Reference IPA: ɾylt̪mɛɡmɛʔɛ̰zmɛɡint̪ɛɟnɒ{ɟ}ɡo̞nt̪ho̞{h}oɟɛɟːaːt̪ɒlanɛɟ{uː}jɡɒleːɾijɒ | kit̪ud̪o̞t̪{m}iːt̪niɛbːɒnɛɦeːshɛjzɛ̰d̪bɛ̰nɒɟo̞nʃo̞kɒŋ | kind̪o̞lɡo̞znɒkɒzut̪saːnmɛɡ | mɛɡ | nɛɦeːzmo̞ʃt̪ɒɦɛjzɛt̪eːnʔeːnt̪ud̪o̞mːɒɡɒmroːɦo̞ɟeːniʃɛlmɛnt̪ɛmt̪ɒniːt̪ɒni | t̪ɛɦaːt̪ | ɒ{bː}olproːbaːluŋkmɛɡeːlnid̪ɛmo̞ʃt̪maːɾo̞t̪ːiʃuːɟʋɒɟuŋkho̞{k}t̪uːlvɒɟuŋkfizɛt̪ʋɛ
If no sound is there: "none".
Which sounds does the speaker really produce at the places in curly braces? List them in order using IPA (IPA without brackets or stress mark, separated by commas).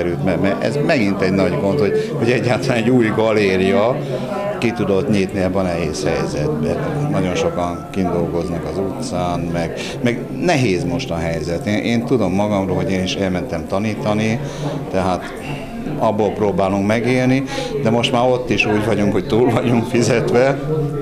ɟ, h, uː, ɲ, bː, c